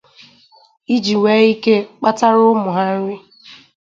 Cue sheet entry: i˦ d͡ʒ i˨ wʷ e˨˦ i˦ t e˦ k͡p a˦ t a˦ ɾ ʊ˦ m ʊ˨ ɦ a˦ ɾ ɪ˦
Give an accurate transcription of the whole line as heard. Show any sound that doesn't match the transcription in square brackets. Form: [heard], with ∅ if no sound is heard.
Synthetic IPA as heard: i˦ d͡ʒ i˨ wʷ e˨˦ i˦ [k] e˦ k͡p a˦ t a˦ ɾ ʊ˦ m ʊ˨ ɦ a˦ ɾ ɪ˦